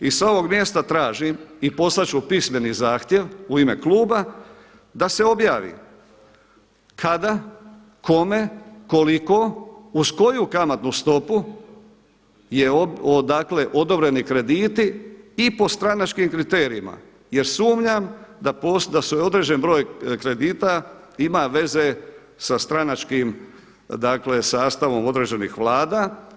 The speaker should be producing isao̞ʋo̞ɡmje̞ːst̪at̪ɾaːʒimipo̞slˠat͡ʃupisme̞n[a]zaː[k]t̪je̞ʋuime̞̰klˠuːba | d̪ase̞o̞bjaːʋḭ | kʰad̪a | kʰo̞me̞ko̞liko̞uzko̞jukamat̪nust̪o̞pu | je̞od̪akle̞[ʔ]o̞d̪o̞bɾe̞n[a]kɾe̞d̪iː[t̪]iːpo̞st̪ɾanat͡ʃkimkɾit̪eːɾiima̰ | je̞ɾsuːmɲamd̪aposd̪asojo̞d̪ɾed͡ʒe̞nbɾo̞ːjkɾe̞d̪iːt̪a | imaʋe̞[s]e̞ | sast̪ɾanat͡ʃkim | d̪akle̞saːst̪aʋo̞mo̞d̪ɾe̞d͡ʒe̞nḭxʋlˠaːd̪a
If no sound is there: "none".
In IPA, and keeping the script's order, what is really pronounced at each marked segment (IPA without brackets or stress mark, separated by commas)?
i, x, ʔ, i, t̪, z